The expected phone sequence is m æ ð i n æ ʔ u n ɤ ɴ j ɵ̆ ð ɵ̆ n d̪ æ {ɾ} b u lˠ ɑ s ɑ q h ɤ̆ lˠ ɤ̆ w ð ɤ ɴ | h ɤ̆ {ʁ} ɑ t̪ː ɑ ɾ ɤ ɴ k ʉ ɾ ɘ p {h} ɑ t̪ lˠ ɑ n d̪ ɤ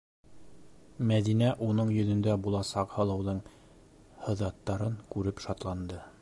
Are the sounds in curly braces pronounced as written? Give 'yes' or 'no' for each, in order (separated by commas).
no, no, no